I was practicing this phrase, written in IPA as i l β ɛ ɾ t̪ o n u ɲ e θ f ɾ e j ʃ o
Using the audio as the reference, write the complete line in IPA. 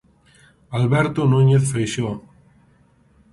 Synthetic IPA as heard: a l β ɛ ɾ t̪ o n u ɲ e θ f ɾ e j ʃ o